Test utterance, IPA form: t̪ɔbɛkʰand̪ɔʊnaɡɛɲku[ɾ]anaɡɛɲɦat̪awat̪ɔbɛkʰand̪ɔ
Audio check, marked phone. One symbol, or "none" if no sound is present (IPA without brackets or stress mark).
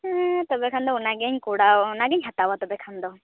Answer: ɽ